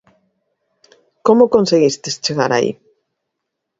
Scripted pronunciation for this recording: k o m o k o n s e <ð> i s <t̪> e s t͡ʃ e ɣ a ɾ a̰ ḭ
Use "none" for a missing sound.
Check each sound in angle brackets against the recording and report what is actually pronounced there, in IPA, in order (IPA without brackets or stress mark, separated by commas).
ɣ, t̪